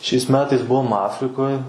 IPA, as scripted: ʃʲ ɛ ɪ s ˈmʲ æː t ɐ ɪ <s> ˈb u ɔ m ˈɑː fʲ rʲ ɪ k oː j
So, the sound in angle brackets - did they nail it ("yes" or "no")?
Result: yes